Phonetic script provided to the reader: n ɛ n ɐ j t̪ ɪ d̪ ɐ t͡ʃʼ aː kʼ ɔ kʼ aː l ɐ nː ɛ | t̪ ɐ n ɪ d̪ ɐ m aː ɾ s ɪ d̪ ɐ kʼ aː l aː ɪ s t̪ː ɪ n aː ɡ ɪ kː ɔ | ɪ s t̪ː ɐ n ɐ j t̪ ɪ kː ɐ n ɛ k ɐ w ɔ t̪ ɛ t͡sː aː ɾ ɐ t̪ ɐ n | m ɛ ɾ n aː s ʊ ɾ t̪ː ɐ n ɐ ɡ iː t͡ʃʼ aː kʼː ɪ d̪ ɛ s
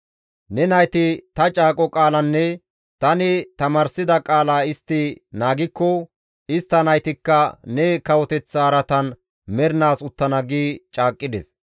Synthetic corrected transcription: n ɛ n ɐ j t̪ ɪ t̪ ɐ t͡ʃʼ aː kʼ ɔ kʼ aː l ɐ nː ɛ | t̪ ɐ n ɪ t̪ ɐ m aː ɾ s ɪ d̪ ɐ kʼ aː l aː ɪ s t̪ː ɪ n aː ɡ ɪ kː ɔ | ɪ s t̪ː ɐ n ɐ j t̪ ɪ kː ɐ n ɛ k ɐ w ɔ t̪ ɛ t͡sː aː ɾ ɐ t̪ ɐ n | m ɛ ɾ n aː s ʊ t̪ː ɐ n ɐ ɡ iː t͡ʃʼ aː kʼː ɪ d̪ ɛ s